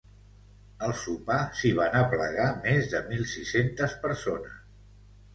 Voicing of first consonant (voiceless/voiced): voiced